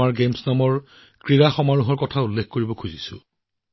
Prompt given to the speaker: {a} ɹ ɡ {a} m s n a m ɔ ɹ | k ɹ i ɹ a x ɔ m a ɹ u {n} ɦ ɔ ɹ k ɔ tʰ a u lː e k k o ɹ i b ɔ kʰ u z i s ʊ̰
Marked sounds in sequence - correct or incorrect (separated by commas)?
correct, incorrect, incorrect